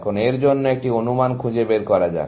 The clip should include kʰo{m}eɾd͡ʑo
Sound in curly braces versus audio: incorrect: n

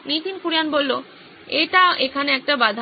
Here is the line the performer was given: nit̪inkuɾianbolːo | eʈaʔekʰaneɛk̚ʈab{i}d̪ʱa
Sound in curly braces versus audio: incorrect: a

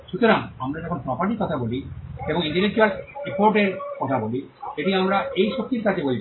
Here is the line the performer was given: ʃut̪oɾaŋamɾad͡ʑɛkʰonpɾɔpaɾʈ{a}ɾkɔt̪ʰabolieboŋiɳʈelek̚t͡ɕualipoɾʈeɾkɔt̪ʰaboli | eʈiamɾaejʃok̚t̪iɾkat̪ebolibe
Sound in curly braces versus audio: incorrect: i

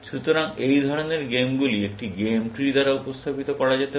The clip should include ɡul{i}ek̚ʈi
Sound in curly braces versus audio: correct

